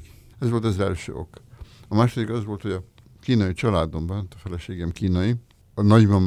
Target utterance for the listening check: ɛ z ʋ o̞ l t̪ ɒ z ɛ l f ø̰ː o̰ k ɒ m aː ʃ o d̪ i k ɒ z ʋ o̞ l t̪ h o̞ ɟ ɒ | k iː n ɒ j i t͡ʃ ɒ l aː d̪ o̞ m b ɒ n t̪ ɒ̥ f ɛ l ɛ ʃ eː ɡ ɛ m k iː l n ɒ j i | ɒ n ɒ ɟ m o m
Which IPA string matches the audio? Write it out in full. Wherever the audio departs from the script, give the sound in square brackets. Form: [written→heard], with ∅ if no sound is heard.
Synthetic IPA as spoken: ɛ z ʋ o̞ l t̪ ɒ z ɛ l [f→ʃ] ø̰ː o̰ k ɒ m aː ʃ o d̪ i k ɒ z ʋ o̞ l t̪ h o̞ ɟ ɒ | k iː n ɒ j i t͡ʃ ɒ l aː d̪ o̞ m b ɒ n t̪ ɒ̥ f ɛ l ɛ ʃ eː ɡ ɛ m k iː [l→∅] n ɒ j i | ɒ n ɒ ɟ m [o→ɒ] m